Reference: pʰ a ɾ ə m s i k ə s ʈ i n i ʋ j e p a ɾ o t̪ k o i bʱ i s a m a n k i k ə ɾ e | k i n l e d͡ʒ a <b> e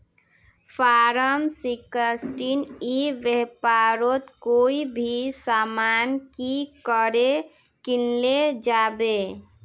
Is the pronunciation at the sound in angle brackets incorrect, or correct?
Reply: correct